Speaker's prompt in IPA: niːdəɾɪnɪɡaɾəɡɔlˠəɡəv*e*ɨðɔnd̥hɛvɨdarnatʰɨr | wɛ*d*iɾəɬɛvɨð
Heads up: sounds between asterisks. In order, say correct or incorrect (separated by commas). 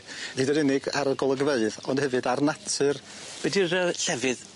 correct, correct